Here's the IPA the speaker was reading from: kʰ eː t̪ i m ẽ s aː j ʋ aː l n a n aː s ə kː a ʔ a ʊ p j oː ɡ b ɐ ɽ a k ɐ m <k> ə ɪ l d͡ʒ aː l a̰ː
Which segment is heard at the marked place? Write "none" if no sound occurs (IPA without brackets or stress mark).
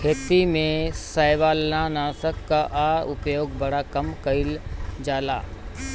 k